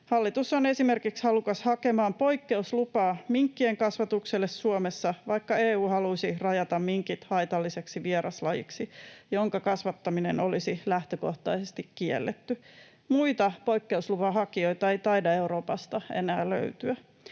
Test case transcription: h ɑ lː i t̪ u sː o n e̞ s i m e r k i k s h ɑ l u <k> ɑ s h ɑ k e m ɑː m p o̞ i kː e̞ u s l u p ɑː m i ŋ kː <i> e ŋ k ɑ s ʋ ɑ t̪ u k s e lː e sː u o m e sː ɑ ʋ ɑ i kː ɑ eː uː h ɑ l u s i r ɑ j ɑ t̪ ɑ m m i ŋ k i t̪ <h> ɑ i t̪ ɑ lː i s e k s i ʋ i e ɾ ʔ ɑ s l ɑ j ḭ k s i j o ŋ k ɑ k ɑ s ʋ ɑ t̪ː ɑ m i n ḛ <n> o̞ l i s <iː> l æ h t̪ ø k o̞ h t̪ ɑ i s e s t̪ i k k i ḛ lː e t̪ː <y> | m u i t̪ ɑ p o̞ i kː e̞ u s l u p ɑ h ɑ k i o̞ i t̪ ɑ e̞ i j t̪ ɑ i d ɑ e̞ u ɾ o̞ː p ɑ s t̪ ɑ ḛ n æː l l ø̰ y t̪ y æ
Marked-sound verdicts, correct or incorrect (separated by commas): correct, correct, correct, correct, incorrect, correct